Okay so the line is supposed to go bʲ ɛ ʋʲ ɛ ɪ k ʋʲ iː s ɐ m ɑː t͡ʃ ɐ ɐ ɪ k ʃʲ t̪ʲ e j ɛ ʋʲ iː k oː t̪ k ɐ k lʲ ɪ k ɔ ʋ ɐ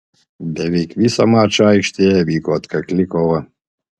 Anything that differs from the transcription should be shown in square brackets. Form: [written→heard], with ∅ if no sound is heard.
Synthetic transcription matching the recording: bʲ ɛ ʋʲ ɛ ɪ k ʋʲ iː s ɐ m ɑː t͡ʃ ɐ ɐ ɪ k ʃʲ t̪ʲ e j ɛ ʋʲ iː k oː t̪ k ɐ k lʲ ɪ k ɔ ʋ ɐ